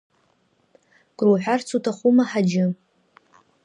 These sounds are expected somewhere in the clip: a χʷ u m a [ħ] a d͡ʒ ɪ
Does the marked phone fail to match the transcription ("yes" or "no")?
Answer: no